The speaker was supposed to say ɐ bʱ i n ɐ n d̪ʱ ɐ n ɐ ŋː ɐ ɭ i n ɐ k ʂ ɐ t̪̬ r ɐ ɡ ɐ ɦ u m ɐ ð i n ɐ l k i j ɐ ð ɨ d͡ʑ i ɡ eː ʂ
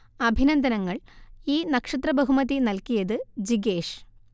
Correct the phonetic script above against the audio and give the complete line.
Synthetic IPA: ɐ bʱ i n ɐ n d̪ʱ ɐ n ɐ ŋː ɐ ɭ iː n ɐ k ʂ ɐ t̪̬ r ɐ b ɐ ɦ u m ɐ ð i n ɐ l k i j ɐ ð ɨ d͡ʑ i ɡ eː ʂ